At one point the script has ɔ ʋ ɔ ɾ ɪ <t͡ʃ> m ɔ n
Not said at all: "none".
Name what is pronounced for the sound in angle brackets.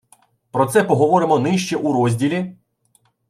none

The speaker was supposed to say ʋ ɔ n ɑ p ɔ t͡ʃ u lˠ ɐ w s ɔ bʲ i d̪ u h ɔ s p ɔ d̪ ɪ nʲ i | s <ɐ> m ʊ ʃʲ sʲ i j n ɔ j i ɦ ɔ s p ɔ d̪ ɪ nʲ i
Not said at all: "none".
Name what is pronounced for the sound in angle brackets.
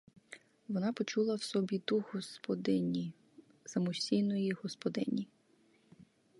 ɐ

